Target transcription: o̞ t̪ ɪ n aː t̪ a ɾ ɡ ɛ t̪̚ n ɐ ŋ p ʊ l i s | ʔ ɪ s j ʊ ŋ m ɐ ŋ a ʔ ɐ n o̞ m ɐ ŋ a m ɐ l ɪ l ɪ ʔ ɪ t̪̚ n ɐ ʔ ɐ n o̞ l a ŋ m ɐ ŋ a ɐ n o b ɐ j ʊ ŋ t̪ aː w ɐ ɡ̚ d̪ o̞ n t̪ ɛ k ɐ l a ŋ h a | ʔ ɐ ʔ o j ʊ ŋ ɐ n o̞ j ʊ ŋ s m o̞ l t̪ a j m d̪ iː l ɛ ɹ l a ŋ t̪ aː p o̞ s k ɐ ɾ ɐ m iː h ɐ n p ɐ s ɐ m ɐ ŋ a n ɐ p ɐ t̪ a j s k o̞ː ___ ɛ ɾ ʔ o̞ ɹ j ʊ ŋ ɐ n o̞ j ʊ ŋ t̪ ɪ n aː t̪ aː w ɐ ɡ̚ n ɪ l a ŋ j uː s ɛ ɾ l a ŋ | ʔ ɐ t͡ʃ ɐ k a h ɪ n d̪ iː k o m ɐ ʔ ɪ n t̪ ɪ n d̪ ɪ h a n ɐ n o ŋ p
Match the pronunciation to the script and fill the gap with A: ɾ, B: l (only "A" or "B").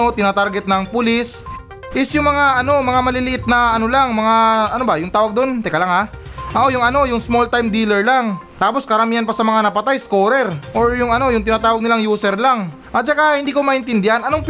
A